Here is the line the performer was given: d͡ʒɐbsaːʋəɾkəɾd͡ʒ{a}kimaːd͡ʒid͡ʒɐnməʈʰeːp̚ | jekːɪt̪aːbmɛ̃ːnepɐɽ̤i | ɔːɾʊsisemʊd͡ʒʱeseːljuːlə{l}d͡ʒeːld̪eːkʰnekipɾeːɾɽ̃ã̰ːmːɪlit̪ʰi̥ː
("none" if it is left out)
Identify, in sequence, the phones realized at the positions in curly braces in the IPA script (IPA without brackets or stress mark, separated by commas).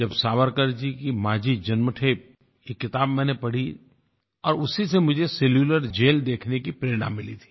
i, ɾ